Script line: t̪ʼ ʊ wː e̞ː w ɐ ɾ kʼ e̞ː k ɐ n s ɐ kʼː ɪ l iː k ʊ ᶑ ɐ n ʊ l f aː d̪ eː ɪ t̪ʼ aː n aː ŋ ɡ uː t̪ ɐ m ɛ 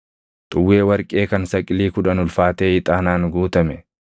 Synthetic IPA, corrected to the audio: t̪ʼ ʊ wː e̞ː w ɐ ɾ kʼ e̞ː k ɐ n s ɐ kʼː ɪ l iː k ʊ ᶑ ɐ n ʊ l f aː t̪ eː ɪ t̪ʼ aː n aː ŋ ɡ uː t̪ ɐ m ɛ

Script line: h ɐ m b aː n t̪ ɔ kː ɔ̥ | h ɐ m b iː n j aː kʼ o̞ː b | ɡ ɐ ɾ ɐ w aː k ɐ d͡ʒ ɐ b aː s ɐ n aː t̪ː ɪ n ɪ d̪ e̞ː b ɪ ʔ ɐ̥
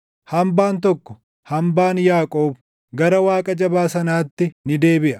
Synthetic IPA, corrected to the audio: h ɐ m b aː n t̪ ɔ kː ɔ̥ | h ɐ m b aː n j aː kʼ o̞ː b | ɡ ɐ ɾ ɐ w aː kʼ ɐ d͡ʒ ɐ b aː s ɐ n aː t̪ː ɪ n ɪ d̪ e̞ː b ɪ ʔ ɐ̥

